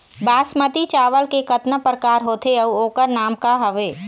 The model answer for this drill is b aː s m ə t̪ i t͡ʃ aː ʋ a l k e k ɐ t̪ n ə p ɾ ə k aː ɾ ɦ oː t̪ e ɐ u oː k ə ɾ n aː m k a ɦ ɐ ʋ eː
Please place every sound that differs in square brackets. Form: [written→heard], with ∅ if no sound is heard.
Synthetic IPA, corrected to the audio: b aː s m ə t̪ i t͡ʃ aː ʋ [a→ə] l k e k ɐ t̪ n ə p ɾ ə k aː ɾ ɦ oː t̪ e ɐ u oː k ə ɾ n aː m k a ɦ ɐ ʋ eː